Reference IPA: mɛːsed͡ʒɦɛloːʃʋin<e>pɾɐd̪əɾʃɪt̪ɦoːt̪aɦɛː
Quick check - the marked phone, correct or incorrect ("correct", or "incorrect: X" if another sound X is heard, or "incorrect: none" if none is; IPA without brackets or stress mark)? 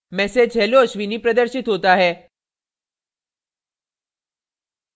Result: incorrect: i